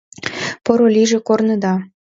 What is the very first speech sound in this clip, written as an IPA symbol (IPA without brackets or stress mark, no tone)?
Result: p